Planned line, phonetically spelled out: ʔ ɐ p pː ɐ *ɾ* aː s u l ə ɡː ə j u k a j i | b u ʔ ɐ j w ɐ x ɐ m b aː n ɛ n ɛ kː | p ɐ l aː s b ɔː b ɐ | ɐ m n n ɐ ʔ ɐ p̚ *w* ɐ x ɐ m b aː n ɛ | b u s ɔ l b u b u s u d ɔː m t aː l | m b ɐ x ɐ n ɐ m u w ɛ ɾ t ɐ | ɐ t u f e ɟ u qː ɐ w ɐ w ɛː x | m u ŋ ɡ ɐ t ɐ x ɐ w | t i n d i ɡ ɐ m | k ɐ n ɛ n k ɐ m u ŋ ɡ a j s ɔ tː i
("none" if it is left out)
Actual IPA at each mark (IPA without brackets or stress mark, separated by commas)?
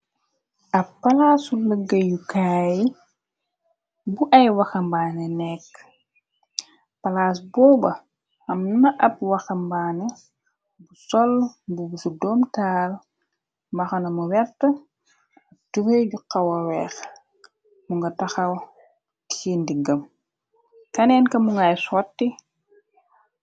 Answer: l, w